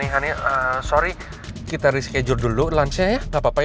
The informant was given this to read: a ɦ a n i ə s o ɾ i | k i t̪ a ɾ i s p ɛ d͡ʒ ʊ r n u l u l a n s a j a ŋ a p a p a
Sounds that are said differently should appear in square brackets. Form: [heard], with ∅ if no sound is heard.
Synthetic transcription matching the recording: [i] ɦ a n i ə s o ɾ i | k i t̪ a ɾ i s [k] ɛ d͡ʒ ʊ r [d] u l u l a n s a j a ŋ a p a p a